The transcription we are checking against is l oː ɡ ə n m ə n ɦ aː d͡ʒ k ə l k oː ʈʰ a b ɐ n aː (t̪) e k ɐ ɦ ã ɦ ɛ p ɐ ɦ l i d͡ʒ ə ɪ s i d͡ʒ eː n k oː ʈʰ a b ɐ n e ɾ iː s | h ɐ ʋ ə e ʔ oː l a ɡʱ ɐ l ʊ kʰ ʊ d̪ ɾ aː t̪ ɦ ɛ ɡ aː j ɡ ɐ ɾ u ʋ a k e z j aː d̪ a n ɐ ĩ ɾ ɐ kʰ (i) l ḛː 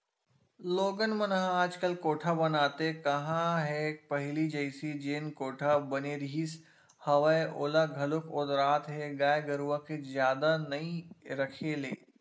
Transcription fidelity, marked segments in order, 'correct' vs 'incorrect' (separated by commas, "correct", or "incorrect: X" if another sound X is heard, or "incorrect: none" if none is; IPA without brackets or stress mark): correct, incorrect: e